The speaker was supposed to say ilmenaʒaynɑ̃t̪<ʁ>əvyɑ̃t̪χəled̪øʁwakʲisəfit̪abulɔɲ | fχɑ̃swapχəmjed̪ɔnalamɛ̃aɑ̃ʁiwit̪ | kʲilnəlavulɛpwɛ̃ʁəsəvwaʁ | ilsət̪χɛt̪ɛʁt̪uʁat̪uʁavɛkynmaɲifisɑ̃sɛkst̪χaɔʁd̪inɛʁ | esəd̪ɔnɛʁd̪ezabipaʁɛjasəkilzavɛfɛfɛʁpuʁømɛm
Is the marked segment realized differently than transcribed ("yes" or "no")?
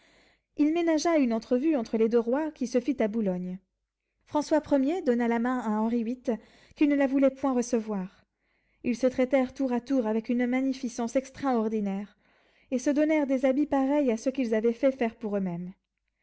yes